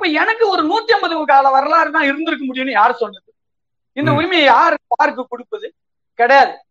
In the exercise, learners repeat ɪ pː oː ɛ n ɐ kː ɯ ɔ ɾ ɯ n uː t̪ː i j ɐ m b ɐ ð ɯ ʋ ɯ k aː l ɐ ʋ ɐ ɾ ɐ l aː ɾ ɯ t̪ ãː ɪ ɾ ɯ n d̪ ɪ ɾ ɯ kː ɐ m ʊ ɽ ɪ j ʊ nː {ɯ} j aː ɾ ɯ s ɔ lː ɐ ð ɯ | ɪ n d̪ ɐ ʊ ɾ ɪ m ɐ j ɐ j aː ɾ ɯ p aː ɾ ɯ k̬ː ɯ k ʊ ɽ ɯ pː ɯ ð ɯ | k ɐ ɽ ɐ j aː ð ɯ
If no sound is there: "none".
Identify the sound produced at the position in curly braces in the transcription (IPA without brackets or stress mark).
ɯ